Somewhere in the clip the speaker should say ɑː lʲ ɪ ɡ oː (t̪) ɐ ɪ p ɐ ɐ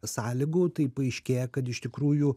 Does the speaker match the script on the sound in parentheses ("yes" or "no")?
yes